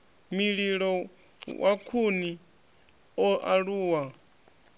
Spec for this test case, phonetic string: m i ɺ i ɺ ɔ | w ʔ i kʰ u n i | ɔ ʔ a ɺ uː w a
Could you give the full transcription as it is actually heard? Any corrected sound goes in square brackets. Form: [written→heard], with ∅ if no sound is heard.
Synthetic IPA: m i ɺ i ɺ ɔ | w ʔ [i→a] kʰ u n i | ɔ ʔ a ɺ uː w a